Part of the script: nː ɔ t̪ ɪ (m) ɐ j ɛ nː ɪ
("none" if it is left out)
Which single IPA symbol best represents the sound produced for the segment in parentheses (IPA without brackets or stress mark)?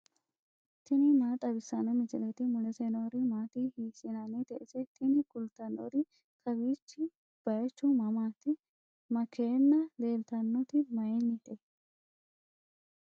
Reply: m